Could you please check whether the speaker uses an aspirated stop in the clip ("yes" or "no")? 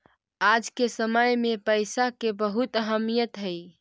no